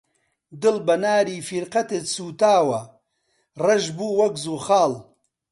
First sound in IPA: d̪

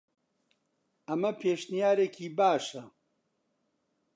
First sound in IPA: ɐ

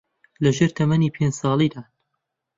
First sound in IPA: l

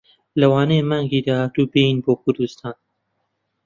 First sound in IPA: l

